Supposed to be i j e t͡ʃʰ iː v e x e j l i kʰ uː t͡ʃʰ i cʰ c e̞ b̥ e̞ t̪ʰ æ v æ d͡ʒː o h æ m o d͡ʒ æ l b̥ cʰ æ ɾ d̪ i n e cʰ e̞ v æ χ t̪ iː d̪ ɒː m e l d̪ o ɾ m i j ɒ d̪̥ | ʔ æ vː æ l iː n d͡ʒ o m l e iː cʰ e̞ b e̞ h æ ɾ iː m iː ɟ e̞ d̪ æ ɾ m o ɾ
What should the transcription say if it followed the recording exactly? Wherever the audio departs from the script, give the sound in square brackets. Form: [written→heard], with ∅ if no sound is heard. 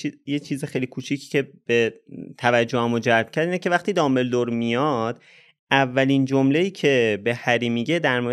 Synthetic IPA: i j e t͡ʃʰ iː [v→z] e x e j l i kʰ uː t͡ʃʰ i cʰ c e̞ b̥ e̞ t̪ʰ æ v æ d͡ʒː o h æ m o d͡ʒ æ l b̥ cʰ æ ɾ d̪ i n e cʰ e̞ v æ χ t̪ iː d̪ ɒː m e l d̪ o ɾ m i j ɒ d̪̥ | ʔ æ vː æ l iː n d͡ʒ o m l e iː cʰ e̞ b e̞ h æ ɾ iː m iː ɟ e̞ d̪ æ ɾ m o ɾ